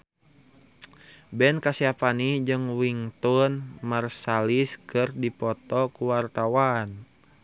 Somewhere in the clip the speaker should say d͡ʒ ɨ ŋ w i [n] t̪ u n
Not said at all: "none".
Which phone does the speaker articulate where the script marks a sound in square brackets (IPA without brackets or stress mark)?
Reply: ŋ